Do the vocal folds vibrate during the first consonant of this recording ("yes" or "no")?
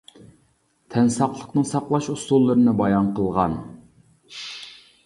no